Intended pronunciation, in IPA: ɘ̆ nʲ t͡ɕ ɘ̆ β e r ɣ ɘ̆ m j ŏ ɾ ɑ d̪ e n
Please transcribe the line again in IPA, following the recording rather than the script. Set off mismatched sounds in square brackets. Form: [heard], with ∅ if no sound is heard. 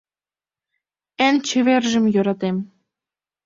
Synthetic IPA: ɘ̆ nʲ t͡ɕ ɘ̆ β e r [ʒ] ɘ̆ m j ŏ ɾ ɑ [t̪] e [m]